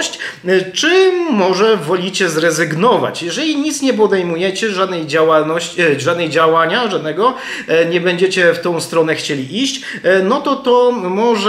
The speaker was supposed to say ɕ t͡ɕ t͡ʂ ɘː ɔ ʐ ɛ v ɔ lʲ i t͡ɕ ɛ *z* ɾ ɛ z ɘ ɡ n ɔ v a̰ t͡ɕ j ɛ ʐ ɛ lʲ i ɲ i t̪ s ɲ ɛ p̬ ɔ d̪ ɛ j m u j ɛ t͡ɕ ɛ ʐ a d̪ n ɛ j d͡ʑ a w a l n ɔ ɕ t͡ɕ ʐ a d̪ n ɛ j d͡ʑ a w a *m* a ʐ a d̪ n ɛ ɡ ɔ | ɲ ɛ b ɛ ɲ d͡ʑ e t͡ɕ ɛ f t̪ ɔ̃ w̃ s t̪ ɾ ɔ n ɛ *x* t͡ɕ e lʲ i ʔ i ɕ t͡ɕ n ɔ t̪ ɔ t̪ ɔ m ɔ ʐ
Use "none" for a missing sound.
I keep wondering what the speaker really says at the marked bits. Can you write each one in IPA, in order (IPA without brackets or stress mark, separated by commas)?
z, ɲ, x